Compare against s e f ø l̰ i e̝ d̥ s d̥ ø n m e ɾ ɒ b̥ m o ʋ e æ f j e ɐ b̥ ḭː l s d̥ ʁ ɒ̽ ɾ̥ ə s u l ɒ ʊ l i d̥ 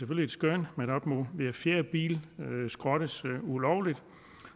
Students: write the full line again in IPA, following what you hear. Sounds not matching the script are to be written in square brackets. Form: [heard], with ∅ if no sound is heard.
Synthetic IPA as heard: s e f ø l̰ i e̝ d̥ s [ɡ̥] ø n m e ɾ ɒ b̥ m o ʋ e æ f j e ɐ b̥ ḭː l s [ɡ̥] ʁ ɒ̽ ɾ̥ ə s u l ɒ ʊ l i d̥